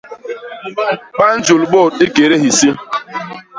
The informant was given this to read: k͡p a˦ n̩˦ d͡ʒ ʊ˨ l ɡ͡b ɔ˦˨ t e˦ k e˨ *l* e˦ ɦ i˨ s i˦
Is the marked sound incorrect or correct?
incorrect: ɾ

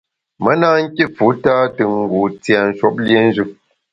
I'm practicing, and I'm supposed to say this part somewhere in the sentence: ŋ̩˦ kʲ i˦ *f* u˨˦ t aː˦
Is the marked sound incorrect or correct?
correct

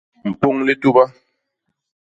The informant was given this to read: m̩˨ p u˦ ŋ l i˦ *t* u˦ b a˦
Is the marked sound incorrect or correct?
correct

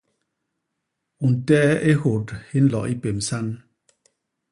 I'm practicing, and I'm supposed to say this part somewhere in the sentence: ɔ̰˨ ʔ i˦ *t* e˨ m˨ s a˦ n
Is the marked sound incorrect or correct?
incorrect: p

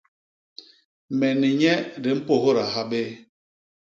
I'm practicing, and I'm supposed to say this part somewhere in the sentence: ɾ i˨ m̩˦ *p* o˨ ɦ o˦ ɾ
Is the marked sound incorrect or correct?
correct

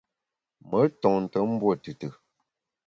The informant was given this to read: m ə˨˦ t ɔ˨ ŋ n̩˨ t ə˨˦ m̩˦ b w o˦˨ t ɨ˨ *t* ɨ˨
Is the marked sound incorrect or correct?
correct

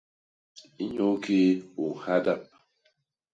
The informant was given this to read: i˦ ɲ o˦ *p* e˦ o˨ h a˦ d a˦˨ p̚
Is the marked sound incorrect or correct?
incorrect: k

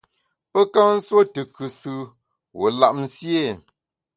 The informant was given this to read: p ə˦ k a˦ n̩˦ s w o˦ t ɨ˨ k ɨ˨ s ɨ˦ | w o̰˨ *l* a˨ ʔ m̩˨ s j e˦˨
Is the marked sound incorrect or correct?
correct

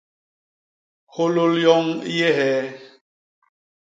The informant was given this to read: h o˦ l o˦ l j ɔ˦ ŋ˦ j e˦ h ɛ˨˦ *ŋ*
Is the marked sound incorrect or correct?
incorrect: none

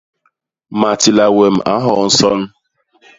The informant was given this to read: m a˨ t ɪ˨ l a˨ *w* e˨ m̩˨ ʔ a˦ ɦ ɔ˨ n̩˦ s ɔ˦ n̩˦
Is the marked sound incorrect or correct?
correct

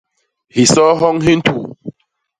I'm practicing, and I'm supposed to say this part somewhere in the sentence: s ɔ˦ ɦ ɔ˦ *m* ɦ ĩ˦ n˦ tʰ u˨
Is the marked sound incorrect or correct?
incorrect: ŋ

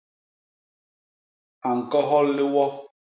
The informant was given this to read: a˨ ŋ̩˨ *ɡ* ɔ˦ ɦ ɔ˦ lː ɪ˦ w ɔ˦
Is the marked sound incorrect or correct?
incorrect: k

